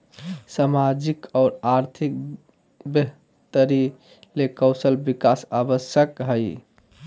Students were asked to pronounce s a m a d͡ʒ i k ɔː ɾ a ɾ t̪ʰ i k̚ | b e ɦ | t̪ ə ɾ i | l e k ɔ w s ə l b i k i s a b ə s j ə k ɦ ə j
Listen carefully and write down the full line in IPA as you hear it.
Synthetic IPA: s a m a d͡ʒ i k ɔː ɾ a ɾ t̪ʰ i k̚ | b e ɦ | t̪ ə ɾ i | l e k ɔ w s ə l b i k a s a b ə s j ə k ɦ ə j